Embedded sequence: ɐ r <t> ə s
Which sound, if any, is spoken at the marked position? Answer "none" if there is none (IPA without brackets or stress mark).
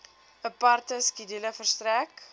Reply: t